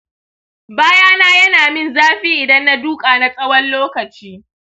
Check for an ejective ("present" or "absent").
present